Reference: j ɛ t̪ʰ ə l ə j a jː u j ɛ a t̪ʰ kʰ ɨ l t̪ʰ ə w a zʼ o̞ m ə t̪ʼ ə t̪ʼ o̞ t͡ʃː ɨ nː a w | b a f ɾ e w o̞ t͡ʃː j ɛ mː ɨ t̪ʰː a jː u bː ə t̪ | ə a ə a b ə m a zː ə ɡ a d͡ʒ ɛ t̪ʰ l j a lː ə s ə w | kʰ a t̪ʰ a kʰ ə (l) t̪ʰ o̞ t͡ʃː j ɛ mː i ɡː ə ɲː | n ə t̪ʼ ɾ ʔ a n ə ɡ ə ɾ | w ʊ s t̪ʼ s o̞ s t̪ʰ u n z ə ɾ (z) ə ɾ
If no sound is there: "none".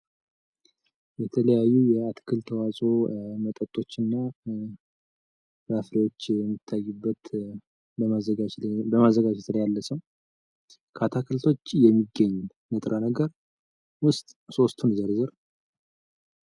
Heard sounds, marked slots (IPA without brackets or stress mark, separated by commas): l, z